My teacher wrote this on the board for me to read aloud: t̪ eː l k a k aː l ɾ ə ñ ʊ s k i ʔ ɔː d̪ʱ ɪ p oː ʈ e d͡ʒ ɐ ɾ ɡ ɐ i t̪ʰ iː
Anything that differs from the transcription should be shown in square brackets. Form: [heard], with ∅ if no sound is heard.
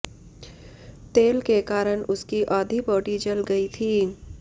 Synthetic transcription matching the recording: t̪ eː l k [e] k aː [∅] ɾ ə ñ ʊ s k i ʔ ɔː d̪ʱ [i] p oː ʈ [i] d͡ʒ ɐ [l] ɡ ɐ i t̪ʰ iː